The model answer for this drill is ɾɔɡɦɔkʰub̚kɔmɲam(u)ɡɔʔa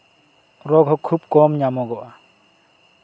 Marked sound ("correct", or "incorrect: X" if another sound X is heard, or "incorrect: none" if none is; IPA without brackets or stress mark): incorrect: ɔ